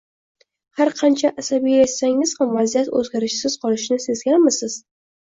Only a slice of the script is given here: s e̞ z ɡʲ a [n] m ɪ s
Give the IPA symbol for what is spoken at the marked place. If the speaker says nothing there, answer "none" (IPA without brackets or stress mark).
n